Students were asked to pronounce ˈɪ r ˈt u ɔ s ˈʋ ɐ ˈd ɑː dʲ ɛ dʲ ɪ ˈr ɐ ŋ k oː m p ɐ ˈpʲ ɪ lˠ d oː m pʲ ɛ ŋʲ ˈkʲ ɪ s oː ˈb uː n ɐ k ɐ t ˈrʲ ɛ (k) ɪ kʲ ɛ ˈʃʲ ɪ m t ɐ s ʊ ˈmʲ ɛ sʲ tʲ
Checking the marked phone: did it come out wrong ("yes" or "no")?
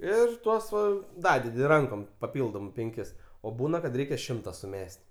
yes